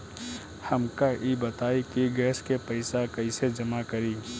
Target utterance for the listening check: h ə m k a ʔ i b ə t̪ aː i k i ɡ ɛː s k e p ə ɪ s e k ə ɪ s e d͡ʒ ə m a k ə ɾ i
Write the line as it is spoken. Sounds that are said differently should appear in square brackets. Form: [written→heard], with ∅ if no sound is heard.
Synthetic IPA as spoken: h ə m k a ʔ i b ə t̪ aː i k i ɡ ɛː s k e p ə ɪ s [e→a] k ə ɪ s e d͡ʒ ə m a k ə ɾ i